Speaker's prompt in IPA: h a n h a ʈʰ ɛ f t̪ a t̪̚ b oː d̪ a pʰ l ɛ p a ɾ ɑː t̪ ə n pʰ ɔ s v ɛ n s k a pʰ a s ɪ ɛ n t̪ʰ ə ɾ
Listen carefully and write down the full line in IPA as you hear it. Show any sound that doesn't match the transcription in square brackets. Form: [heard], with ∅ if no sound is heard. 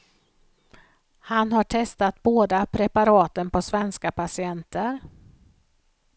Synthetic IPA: h a n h a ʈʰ ɛ [s] t̪ a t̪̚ b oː d̪ a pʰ [ɾ] ɛ p a ɾ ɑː t̪ ə n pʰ ɔ s v ɛ n s k a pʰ a s ɪ ɛ n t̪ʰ ə ɾ